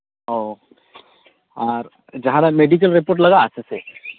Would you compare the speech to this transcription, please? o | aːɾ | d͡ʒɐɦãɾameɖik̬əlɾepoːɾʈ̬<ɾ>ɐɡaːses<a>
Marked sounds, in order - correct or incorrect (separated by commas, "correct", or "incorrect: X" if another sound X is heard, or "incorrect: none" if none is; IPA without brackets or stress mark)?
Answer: incorrect: l, incorrect: e